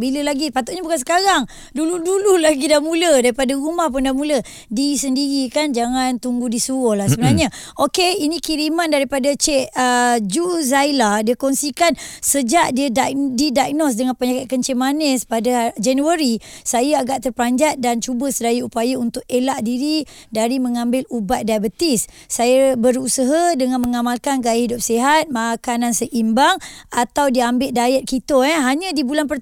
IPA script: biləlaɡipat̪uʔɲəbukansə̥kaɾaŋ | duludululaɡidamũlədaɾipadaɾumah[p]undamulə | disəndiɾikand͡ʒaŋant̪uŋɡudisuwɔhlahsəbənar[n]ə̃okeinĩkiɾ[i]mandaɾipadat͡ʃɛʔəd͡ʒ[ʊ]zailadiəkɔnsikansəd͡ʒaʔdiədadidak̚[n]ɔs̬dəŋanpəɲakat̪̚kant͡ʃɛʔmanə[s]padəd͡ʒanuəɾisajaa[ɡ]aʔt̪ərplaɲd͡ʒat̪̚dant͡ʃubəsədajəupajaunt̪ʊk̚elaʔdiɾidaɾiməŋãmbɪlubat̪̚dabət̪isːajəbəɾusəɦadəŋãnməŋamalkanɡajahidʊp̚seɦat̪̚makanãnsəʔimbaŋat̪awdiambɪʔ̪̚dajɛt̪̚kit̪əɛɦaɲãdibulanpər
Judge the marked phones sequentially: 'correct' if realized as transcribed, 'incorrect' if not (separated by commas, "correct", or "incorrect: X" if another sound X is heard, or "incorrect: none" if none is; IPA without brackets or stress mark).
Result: correct, incorrect: ɲ, correct, incorrect: u, correct, correct, correct